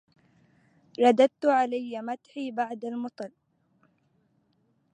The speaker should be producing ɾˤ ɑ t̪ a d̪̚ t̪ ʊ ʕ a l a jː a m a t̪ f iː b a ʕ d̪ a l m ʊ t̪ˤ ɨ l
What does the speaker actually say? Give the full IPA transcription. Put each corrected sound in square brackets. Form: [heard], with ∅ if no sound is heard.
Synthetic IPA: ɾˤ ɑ [d̪] a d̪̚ t̪ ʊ ʕ a l a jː a m a t̪ [ħ] iː b a ʕ d̪ a l m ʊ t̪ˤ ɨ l

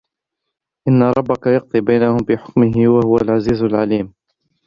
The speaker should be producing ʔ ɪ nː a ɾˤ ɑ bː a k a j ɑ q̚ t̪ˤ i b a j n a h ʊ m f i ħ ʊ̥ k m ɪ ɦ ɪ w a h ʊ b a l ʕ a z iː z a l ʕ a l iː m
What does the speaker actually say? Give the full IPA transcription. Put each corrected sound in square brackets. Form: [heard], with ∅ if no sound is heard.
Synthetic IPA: ʔ ɪ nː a ɾˤ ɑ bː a k a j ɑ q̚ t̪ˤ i b a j n a h ʊ m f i ħ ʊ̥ k m ɪ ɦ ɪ w a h ʊ [w] a l ʕ a z iː z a l ʕ a l iː m

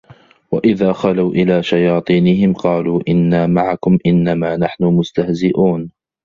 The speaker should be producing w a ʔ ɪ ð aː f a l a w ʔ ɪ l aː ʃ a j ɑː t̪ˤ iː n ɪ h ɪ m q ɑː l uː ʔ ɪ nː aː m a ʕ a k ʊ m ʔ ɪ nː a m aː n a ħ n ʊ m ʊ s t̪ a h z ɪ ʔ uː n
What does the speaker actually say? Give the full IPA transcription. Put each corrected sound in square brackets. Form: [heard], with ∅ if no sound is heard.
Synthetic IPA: w a ʔ ɪ ð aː [x] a l a w ʔ ɪ l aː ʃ a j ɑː t̪ˤ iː n ɪ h ɪ m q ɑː l uː ʔ ɪ nː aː m a ʕ a k ʊ m ʔ ɪ nː a m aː n a ħ n ʊ m ʊ s t̪ a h z ɪ ʔ uː n

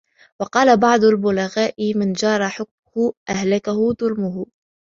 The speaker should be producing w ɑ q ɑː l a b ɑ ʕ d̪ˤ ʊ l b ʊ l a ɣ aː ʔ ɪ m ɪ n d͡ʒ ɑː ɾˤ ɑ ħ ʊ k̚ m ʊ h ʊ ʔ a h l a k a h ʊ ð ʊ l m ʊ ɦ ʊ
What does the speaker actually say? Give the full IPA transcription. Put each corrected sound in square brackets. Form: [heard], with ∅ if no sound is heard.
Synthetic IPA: w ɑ q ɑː l a b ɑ ʕ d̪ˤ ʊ l b ʊ l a ɣ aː ʔ ɪ m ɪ n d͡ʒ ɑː ɾˤ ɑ ħ ʊ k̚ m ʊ h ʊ ʔ a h l a k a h ʊ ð ʊ l m ʊ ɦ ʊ

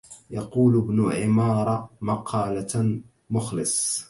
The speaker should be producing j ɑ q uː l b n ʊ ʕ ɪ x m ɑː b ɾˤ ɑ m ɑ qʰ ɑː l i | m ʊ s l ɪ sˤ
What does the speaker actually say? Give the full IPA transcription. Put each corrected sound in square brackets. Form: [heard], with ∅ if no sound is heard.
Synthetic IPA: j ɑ q uː l b n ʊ ʕ ɪ [∅] m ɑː [∅] ɾˤ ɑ m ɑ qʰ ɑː l [a] | m ʊ [x] l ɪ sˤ

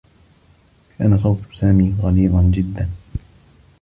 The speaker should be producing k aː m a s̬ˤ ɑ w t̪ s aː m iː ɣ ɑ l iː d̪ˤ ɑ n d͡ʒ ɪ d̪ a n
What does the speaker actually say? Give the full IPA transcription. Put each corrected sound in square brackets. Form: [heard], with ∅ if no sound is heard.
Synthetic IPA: k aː [n] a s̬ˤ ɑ w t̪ s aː m iː ɣ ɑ l iː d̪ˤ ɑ n d͡ʒ ɪ [d̪ː] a n

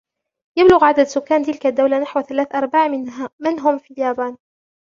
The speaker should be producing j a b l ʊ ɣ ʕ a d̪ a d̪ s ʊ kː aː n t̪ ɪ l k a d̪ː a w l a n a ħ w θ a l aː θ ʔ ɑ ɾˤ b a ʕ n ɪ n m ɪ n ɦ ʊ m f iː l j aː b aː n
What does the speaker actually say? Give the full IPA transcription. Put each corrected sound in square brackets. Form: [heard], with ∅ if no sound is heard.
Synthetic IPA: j a b l ʊ ɣ ʕ a d̪ a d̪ s ʊ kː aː n t̪ ɪ l k a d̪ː a w l a n a ħ w θ a l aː θ ʔ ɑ ɾˤ b a ʕ [m] ɪ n m ɪ n ɦ ʊ m f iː l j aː b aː n

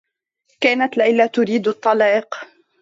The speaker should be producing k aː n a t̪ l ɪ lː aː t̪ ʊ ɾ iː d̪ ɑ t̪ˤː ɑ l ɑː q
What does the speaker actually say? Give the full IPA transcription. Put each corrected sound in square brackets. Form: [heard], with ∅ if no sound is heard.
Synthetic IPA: k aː n a t̪ l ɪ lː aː t̪ ʊ ɾ iː d̪ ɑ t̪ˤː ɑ l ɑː q

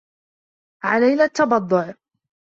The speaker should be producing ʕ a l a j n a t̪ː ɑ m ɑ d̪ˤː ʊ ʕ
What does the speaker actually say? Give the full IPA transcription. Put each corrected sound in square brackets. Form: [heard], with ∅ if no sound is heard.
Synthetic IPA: ʕ a l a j n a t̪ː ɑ [b] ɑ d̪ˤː ʊ ʕ

